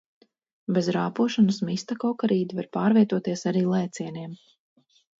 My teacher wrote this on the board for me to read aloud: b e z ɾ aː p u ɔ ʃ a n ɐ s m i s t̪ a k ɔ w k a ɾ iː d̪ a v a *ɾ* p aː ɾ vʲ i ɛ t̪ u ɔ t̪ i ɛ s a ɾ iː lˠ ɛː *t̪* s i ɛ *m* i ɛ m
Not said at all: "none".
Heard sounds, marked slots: ɾ, t̪, n

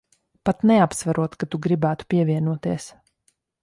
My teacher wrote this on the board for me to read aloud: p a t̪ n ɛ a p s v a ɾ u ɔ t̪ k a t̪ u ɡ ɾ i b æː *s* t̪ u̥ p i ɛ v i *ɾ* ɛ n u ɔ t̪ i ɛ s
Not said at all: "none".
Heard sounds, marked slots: none, none

